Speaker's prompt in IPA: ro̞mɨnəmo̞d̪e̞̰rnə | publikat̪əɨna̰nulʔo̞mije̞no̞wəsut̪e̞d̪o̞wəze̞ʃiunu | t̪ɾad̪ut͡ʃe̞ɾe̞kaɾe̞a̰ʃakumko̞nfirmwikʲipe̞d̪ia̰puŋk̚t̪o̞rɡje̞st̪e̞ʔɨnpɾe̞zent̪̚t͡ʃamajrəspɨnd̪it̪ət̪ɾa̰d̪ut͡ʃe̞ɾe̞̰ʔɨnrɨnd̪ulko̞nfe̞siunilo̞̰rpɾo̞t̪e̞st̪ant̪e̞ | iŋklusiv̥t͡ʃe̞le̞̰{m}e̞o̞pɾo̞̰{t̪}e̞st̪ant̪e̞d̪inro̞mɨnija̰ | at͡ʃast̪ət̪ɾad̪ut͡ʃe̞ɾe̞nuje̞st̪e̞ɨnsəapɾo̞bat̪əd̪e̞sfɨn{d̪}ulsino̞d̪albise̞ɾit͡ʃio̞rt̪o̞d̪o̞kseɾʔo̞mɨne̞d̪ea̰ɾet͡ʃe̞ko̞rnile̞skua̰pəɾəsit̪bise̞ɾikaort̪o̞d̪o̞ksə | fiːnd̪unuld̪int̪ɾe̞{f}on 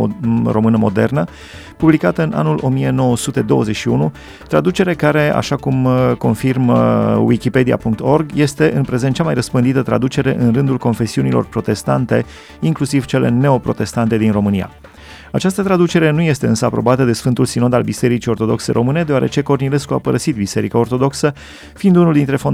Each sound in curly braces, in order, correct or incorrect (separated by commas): incorrect, correct, incorrect, correct